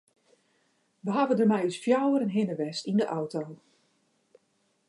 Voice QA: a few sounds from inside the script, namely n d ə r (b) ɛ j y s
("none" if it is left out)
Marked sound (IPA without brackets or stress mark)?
m